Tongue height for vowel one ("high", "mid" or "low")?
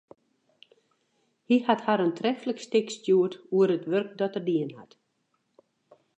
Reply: high